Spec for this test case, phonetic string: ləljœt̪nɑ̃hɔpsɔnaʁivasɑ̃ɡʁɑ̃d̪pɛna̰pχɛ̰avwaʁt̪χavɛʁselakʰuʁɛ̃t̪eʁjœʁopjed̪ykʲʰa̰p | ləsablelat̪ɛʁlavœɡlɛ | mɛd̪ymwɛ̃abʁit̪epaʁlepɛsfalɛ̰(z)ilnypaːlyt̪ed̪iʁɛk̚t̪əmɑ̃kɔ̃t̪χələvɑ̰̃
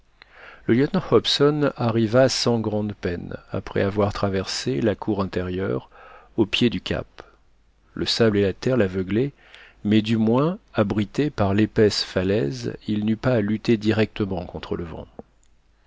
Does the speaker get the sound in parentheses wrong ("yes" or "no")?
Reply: no